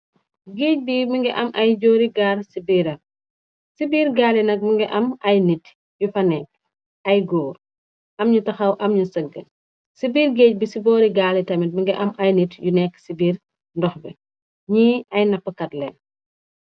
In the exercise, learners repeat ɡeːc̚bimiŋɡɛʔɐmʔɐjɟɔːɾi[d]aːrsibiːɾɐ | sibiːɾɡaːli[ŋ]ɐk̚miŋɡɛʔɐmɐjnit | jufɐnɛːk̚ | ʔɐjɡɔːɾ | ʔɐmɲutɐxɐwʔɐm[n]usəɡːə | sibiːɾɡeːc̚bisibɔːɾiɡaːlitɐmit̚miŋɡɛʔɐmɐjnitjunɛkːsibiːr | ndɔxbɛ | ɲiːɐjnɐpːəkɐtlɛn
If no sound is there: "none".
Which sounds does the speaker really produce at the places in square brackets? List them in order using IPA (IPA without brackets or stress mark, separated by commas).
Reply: ɡ, n, ɲ